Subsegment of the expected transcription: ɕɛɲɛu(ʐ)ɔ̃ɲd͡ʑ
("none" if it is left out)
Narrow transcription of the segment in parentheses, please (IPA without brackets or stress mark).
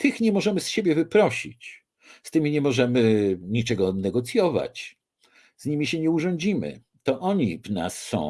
ʐ